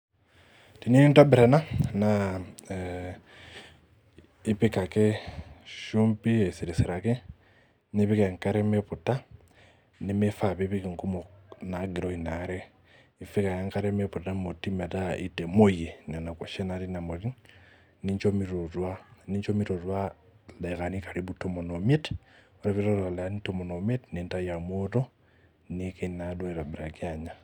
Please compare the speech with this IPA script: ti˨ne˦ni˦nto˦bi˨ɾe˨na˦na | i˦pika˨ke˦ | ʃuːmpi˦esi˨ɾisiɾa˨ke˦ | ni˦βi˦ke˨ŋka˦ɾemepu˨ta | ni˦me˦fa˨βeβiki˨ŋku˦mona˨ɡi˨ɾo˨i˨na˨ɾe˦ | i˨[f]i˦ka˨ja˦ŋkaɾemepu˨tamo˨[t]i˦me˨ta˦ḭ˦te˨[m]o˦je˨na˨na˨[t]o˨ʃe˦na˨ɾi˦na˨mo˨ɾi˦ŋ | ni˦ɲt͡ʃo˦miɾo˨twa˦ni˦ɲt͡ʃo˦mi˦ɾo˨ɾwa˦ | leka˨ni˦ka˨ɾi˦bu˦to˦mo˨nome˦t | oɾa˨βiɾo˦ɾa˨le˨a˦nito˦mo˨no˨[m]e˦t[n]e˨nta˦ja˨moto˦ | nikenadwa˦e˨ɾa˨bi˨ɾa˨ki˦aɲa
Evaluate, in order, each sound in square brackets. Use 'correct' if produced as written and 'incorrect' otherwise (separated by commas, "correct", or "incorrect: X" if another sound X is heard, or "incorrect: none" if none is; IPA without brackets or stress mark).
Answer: correct, correct, correct, incorrect: k, correct, correct